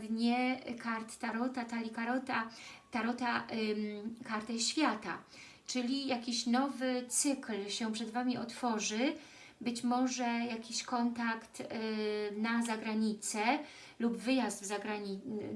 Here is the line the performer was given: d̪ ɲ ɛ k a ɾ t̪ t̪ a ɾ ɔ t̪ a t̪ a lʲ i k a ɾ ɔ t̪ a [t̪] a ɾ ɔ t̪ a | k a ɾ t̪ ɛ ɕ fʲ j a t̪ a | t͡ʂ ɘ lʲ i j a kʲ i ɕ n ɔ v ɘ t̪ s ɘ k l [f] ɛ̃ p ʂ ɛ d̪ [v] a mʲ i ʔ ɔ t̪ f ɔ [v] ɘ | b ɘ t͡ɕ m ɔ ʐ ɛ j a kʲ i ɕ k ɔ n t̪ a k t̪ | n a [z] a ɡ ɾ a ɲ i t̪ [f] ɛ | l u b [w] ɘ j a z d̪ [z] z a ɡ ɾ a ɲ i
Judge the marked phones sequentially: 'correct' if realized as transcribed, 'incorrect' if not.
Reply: correct, incorrect: ɕ, correct, incorrect: ʐ, correct, incorrect: s, incorrect: v, incorrect: v

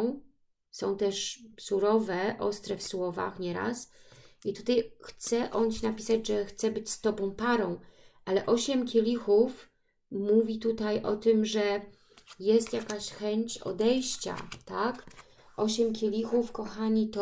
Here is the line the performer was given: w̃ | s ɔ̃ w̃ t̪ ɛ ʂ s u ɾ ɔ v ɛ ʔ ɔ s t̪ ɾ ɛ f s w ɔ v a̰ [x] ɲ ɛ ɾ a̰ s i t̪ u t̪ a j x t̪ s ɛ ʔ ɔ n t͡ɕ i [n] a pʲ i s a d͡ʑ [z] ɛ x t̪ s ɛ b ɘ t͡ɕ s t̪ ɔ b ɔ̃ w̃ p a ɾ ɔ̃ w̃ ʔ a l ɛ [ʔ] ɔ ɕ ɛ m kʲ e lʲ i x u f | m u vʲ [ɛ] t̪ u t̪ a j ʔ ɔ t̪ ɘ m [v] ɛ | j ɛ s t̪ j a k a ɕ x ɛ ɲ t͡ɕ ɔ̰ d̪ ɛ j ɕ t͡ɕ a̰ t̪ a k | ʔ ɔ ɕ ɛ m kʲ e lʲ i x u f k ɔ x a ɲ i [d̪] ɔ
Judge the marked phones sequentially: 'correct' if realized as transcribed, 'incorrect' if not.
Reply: correct, correct, incorrect: ʐ, correct, incorrect: i, incorrect: ʐ, incorrect: t̪

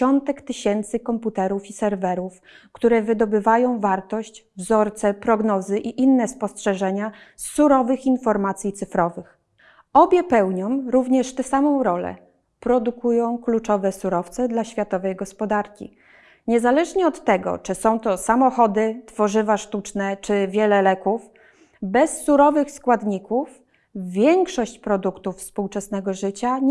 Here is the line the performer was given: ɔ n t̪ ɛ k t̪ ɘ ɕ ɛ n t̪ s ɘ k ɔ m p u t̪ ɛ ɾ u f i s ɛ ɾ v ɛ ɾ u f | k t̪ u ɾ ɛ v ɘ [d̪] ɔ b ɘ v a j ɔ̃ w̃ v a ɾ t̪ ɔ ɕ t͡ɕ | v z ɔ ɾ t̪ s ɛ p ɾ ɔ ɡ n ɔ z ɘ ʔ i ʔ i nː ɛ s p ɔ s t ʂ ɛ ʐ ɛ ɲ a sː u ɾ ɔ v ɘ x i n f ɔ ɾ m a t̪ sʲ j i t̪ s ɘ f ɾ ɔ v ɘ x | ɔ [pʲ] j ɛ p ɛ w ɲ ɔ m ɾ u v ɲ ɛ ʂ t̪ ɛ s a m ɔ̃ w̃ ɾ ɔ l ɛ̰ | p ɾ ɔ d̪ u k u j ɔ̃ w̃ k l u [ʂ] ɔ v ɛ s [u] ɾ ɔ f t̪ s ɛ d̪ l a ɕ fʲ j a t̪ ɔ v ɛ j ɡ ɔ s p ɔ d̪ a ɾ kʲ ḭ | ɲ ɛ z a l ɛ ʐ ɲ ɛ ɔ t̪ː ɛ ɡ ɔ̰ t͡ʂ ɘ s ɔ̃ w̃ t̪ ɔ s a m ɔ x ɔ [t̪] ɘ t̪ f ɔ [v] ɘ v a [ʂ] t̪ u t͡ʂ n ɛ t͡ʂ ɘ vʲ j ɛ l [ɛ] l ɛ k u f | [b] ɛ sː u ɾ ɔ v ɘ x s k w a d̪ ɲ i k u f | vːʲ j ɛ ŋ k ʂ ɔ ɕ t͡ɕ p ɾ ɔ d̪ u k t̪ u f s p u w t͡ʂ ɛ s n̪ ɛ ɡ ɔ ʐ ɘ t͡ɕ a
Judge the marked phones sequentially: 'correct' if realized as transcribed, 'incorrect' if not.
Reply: correct, incorrect: bʲ, incorrect: t͡ʂ, correct, incorrect: d̪, incorrect: ʐ, correct, correct, correct

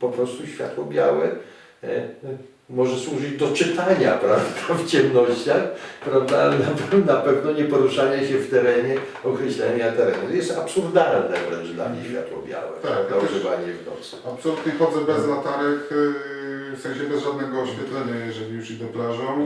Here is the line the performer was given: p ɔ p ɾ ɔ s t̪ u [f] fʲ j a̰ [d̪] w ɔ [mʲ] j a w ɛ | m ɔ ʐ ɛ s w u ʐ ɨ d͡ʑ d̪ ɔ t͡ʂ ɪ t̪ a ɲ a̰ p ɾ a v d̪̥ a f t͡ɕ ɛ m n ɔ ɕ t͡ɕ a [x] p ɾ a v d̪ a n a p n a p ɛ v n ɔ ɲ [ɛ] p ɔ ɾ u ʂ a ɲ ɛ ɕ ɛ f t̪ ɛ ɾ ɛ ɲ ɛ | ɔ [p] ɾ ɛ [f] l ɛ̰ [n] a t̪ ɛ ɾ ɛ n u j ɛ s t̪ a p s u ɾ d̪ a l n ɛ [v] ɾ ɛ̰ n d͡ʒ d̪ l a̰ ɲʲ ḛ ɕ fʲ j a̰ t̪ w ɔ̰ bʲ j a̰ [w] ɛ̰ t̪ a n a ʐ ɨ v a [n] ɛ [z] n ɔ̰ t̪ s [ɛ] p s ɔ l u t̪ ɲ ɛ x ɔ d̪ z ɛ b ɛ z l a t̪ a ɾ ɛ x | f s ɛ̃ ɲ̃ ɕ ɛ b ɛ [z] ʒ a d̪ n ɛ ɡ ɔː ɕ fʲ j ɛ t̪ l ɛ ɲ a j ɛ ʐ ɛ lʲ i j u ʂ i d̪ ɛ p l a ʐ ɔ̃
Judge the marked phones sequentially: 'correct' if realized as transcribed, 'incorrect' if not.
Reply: incorrect: ɕ, incorrect: t̪, incorrect: bʲ, correct, correct, incorrect: k, incorrect: ɕ, incorrect: ɲ, correct, correct, incorrect: ɲ, incorrect: v, incorrect: a, correct

